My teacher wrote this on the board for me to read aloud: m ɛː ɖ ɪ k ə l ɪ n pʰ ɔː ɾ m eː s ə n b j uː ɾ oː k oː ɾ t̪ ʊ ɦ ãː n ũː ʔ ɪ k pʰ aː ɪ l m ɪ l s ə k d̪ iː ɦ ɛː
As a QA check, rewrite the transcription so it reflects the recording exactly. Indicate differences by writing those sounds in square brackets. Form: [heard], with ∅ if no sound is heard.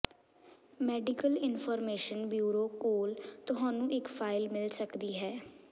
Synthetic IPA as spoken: m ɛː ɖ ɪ k ə l ɪ n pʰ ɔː ɾ m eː [ʃ] ə n b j uː ɾ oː k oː [l] t̪ ʊ ɦ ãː n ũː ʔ ɪ k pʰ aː ɪ l m ɪ l s ə k d̪ iː ɦ ɛː

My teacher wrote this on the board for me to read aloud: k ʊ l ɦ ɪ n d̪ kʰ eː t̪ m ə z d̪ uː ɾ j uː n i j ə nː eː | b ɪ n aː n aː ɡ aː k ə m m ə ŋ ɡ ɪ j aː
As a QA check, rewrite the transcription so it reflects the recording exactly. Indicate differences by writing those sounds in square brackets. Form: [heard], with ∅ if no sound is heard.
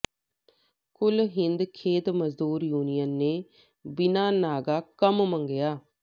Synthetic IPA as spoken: k ʊ l ɦ ɪ n d̪ kʰ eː t̪ m ə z d̪ uː ɾ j uː n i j ə nː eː | b ɪ n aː n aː ɡ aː k ə m m ə ŋ ɡ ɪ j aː

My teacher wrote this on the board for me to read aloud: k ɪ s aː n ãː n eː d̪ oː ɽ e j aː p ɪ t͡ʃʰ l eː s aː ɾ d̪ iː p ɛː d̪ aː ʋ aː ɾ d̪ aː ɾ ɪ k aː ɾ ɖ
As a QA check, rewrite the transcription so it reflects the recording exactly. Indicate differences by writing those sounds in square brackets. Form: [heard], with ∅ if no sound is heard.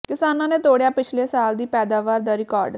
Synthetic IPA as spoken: k ɪ s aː n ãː n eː [t̪] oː ɽ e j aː p ɪ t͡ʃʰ l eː s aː [l] d̪ iː p ɛː d̪ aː ʋ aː ɾ d̪ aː ɾ ɪ k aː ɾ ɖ

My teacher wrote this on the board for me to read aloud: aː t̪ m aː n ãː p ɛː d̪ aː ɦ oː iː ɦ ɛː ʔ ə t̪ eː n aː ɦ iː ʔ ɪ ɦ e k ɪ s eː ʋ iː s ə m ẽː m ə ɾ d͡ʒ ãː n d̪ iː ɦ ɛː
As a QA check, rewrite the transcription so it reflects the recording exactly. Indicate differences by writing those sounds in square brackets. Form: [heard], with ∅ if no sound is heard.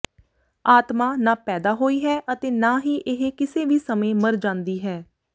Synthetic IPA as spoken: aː t̪ m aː n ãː p ɛː d̪ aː ɦ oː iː ɦ ɛː ʔ ə t̪ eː n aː ɦ iː ʔ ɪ ɦ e k ɪ s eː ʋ iː s ə m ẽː m ə ɾ d͡ʒ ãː n d̪ iː ɦ ɛː

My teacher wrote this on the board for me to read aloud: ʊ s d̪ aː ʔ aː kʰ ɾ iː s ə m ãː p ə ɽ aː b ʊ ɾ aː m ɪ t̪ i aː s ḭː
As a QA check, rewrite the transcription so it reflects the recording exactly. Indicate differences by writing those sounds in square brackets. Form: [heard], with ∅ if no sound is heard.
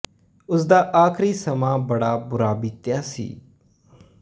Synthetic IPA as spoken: ʊ s d̪ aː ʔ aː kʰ ɾ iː s ə m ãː [b] ə ɽ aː b ʊ ɾ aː [b] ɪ t̪ [j] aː s ḭː

